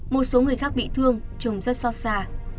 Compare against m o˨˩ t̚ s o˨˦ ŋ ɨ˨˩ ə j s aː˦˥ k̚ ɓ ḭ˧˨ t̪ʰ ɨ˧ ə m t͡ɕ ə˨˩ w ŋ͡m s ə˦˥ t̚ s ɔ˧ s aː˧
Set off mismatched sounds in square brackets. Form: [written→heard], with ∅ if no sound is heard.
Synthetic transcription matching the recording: m o˨˩ t̚ s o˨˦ ŋ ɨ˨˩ ə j [s→x] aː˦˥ k̚ ɓ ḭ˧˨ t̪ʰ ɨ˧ ə [m→ŋ] t͡ɕ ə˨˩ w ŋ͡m [s→z] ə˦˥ t̚ s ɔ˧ s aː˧